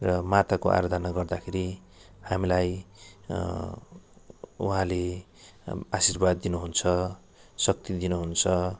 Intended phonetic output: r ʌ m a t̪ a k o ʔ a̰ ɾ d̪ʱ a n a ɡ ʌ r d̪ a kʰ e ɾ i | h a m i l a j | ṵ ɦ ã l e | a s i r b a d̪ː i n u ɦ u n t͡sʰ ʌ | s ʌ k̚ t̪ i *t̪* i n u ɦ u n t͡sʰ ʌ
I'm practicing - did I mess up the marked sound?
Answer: yes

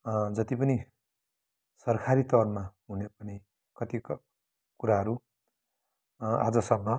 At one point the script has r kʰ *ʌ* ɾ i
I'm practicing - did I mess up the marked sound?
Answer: yes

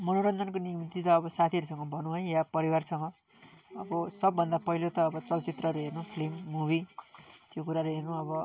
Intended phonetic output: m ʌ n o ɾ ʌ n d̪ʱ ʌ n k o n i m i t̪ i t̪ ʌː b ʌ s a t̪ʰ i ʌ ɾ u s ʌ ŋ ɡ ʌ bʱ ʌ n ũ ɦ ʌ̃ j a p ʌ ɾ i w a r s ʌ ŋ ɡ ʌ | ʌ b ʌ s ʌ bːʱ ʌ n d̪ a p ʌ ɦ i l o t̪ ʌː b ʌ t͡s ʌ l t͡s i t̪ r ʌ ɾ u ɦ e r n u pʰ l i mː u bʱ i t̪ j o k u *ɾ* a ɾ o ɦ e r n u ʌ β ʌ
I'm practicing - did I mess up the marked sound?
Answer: no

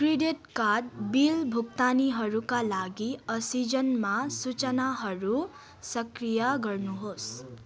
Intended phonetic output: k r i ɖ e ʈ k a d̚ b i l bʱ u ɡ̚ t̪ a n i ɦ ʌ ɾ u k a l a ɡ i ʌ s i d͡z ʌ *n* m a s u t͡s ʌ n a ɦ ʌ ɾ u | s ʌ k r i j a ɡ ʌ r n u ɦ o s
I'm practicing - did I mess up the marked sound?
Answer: no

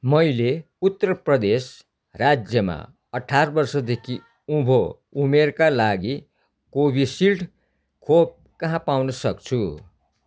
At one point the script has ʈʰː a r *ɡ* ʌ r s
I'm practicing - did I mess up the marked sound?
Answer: yes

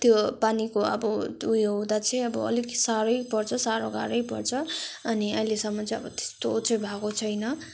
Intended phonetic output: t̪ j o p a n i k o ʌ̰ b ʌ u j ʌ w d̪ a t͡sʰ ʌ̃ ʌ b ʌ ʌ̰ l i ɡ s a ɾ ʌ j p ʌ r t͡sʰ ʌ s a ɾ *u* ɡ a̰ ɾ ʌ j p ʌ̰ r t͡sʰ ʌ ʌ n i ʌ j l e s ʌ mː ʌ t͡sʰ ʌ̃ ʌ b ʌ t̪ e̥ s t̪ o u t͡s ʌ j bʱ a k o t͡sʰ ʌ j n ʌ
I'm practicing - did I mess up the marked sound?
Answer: yes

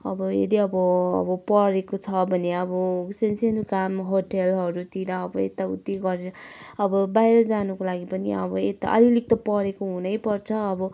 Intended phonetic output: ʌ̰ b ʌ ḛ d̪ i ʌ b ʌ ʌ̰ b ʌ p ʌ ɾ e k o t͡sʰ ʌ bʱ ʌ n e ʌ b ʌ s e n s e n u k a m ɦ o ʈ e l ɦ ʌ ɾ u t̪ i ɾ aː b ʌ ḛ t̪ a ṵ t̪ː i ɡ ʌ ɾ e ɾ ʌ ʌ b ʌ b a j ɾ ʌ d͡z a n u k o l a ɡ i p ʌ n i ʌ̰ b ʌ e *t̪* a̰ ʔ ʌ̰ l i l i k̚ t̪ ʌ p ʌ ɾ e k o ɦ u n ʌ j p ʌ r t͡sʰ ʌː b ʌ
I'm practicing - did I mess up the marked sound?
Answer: no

